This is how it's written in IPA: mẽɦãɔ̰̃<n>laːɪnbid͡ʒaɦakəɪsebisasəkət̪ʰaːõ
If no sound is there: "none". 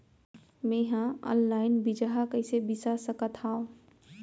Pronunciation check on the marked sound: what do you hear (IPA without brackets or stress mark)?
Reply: n